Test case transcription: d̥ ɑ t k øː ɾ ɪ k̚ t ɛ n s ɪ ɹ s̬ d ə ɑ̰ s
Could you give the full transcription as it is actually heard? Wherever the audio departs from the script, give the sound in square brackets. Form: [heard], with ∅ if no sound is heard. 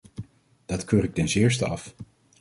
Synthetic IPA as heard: d̥ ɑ t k øː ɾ ɪ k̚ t ɛ n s [ɪː] ɹ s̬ [t] ə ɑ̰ [f]